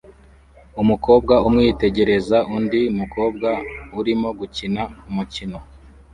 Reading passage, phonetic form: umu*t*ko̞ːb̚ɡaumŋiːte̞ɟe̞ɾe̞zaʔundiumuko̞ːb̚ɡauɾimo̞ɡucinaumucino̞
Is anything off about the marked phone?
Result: yes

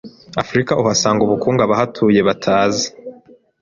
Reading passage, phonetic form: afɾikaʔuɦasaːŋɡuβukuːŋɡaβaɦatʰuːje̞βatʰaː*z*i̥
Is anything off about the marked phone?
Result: no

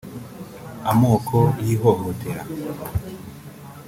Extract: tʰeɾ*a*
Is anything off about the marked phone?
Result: no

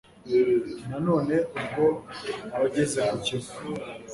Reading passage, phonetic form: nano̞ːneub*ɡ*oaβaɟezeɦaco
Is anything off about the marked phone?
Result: no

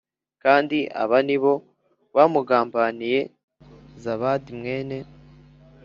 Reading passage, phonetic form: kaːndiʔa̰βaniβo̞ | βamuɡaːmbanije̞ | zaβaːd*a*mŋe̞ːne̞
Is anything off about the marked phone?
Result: yes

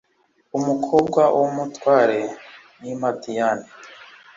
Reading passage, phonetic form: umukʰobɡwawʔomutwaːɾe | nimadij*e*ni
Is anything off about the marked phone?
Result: yes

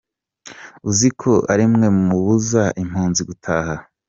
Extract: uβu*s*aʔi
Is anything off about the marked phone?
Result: yes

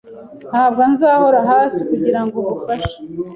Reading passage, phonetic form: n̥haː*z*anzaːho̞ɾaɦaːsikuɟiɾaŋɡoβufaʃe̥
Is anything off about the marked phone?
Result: yes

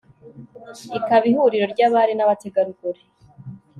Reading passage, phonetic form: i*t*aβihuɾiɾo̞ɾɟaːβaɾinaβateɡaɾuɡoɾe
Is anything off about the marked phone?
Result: yes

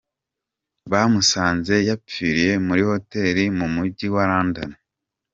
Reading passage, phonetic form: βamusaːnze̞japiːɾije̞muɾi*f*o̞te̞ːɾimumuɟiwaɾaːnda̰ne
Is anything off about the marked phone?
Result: yes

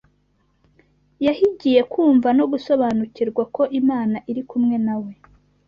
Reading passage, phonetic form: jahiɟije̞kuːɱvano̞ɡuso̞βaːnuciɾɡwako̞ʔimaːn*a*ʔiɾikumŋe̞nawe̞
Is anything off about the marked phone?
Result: no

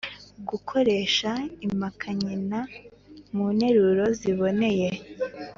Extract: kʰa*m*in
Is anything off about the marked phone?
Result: yes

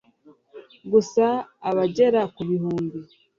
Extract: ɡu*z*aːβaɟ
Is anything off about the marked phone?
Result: yes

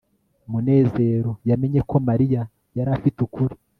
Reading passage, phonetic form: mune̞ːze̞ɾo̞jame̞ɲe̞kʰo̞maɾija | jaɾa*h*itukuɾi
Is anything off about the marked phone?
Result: yes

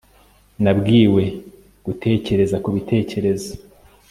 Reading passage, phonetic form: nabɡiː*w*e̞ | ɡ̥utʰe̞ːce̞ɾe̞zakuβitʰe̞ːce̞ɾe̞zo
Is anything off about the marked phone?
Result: no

